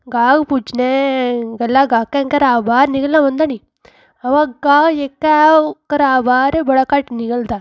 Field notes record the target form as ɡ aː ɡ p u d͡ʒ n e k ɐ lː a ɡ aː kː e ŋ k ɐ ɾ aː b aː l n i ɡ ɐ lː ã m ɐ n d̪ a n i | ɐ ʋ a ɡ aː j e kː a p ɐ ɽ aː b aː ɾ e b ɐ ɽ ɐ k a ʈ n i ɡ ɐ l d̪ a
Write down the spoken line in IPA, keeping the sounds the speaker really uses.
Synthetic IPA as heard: ɡ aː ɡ p u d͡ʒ n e ɡ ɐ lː a ɡ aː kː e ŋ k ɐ ɾ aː b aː ɾ n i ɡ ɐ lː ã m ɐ n d̪ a n i | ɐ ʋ a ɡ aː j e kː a k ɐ ɾ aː b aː ɾ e b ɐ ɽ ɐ k a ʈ n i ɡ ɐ l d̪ a